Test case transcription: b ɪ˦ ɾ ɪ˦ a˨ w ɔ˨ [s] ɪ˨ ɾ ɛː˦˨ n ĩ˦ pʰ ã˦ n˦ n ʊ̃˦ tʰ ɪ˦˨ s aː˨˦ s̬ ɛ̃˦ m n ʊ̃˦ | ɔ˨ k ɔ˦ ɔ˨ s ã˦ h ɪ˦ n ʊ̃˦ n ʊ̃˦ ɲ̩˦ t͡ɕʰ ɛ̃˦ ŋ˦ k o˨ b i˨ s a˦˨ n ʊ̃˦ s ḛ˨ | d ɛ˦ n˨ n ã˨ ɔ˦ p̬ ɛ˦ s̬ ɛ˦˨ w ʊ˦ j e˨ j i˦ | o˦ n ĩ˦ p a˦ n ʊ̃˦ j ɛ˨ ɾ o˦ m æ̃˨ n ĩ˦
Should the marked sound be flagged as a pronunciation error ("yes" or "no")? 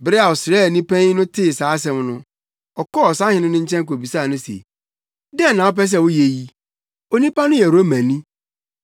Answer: no